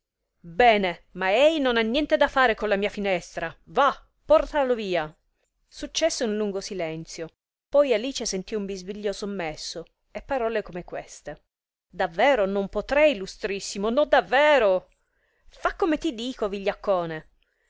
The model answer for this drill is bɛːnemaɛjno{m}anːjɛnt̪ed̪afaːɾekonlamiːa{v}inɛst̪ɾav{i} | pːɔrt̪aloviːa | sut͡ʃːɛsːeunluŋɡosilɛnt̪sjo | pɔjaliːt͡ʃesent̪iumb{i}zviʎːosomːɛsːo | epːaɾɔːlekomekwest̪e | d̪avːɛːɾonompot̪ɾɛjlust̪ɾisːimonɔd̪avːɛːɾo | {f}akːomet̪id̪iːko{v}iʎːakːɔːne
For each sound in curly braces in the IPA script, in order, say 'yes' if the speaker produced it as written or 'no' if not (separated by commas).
no, no, no, yes, yes, yes